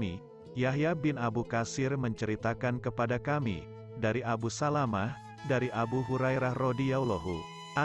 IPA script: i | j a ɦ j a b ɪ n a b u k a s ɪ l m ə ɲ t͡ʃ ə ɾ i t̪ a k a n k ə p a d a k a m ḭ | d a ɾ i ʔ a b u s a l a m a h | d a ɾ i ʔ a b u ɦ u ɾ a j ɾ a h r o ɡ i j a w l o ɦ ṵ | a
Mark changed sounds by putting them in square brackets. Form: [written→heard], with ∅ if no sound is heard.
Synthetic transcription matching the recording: i | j a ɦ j a b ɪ n a b u k a s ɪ [l→r] m ə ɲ t͡ʃ ə ɾ i t̪ a k a n k ə p a d a k a m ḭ | d a ɾ i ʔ a b u s a l a m a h | d a ɾ i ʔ a b u ɦ u ɾ a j ɾ a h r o [ɡ→d] i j a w l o ɦ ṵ | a

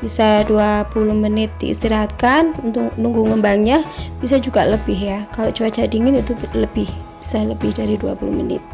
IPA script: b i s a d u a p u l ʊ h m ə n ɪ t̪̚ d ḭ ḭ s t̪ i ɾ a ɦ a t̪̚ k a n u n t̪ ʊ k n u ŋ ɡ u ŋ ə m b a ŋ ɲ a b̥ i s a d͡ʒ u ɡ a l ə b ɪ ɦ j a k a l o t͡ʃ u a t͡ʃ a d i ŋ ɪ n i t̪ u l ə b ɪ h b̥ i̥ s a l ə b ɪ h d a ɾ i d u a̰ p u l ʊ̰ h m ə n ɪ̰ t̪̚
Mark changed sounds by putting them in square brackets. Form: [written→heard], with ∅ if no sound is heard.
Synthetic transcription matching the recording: b i s a d u a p u l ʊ h m ə n ɪ t̪̚ d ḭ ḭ s t̪ i ɾ a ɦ a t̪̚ k a n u n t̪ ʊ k n u ŋ ɡ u ŋ ə m b a ŋ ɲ a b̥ i s a d͡ʒ u ɡ a l ə b ɪ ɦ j a k a l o t͡ʃ u a t͡ʃ a d i ŋ ɪ n i t̪ u l ə b ɪ h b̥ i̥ s a l ə b ɪ h d a ɾ i d u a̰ p u l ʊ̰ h m ə n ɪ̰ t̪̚

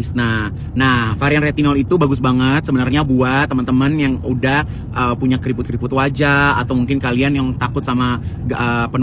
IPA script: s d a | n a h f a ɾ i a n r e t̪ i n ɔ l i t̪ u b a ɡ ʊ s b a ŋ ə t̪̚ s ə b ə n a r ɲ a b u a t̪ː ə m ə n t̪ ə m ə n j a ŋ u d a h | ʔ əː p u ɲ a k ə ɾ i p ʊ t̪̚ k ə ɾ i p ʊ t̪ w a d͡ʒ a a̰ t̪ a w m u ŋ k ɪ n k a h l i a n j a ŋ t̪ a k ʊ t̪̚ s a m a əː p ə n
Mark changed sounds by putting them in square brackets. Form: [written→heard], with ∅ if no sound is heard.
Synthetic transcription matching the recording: s [d→n] a | n a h f a ɾ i a n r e t̪ i n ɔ l i t̪ u b a ɡ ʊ s b a ŋ ə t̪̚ s ə b ə n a r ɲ a b u a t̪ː ə m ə n t̪ ə m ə n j a ŋ u d a h | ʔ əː p u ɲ a k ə ɾ i p ʊ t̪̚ k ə ɾ i p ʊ t̪ w a d͡ʒ a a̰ t̪ a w m u ŋ k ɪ n k a [h→∅] l i a n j a ŋ t̪ a k ʊ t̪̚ s a m a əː p ə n

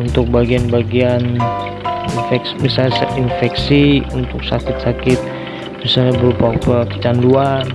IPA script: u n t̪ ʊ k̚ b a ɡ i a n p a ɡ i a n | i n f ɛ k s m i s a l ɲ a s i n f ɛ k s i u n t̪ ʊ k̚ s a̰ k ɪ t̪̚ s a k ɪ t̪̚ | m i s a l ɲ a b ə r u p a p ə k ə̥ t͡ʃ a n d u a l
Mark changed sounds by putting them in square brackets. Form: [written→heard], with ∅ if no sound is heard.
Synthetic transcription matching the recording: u n t̪ ʊ k̚ b a ɡ i a n [p→b] a ɡ i a n | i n f ɛ k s m i s a l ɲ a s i n f ɛ k s i u n t̪ ʊ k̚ s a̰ k ɪ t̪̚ s a k ɪ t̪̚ | m i s a l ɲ a b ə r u p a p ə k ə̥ t͡ʃ a n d u a [l→r]

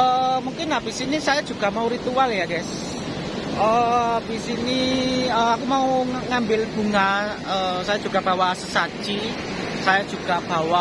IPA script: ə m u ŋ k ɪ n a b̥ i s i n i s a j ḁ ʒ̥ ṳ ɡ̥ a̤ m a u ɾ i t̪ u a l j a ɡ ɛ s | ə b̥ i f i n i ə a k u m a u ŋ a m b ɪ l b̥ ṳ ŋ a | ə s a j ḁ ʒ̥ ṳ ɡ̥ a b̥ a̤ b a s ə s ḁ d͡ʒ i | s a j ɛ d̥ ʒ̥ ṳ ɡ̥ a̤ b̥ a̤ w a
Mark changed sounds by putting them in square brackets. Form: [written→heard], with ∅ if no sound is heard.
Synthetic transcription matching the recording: ə m u ŋ k ɪ n a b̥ i s i n i s a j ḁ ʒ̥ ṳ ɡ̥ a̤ m a u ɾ i t̪ u a l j a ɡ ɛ s | ə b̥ i [f→s] i n i ə a k u m a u ŋ a m b ɪ l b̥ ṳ ŋ a | ə s a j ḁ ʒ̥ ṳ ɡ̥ a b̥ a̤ [b→w] a s ə s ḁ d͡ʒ i | s a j [ɛ→a] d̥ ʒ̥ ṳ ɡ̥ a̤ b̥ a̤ w a

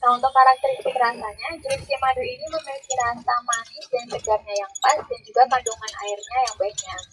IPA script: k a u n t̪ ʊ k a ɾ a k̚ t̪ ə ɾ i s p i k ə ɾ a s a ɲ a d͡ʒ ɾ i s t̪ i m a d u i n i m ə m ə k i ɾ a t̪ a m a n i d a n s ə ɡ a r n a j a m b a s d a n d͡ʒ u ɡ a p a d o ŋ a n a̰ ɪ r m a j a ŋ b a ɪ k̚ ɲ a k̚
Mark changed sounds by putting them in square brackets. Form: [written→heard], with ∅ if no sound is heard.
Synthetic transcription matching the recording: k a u n t̪ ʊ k a ɾ a k̚ t̪ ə ɾ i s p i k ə ɾ a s a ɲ a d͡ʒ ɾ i s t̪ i m a d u i n i m ə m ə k i ɾ a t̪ a m a n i d a n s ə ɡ a r [n→ɲ] a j a [m→ŋ] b a s d a n d͡ʒ u ɡ a p a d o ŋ a n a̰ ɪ r [m→ɲ] a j a ŋ b a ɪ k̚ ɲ a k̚

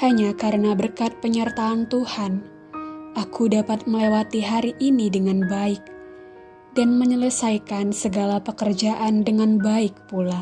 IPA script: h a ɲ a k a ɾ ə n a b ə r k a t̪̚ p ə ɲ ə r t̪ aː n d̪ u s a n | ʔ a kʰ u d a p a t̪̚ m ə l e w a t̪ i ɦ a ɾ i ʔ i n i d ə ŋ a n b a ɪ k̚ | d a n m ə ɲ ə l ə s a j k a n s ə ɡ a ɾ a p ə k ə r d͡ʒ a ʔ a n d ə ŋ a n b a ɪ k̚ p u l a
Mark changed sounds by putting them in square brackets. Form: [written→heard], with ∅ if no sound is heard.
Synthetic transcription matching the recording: h a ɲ a k a ɾ ə n a b ə r k a t̪̚ p ə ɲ ə r t̪ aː n [d̪→t̪] u [s→h] a n | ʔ a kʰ u d a p a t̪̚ m ə l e w a t̪ i ɦ a ɾ i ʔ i n i d ə ŋ a n b a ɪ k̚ | d a n m ə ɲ ə l ə s a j k a n s ə ɡ a [ɾ→l] a p ə k ə r d͡ʒ a ʔ a n d ə ŋ a n b a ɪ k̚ p u l a

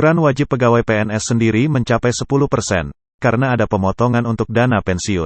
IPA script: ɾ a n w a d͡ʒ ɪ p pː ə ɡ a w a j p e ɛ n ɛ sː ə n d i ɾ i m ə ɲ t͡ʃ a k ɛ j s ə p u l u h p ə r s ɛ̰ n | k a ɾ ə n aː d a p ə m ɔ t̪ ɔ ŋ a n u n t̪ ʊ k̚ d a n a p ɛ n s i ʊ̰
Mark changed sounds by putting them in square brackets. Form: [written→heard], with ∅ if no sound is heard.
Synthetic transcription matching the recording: ɾ a n w a d͡ʒ ɪ p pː ə ɡ a w a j p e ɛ n ɛ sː ə n d i ɾ i m ə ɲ t͡ʃ a [k→p] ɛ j s ə p u l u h p ə r s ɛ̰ n | k a ɾ ə n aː d a p ə m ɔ t̪ ɔ ŋ a n u n t̪ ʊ k̚ d a n a p ɛ n s i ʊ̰

